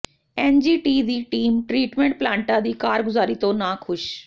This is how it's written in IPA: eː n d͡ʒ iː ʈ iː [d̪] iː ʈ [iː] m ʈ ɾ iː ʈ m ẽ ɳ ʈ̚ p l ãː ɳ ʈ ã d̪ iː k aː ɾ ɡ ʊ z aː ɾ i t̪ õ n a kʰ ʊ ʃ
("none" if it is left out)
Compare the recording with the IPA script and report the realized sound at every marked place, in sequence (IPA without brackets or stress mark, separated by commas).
d̪, iː